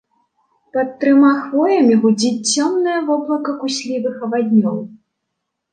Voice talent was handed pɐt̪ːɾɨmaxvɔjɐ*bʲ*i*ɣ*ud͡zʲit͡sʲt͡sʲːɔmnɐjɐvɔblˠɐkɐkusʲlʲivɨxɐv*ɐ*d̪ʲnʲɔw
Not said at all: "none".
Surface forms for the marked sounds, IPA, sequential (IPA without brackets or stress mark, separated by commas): mʲ, ɣ, a